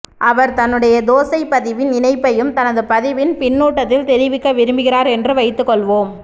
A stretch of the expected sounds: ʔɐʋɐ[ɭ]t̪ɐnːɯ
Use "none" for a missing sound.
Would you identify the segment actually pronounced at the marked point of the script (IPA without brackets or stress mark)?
ɾ